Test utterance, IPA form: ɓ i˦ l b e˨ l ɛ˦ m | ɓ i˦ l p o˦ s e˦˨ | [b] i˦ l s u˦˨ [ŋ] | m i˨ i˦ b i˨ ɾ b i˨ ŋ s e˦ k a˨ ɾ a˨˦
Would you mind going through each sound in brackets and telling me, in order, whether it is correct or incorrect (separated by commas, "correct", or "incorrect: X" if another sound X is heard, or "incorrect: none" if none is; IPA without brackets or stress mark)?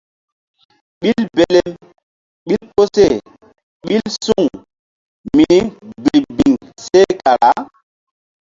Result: incorrect: ɓ, correct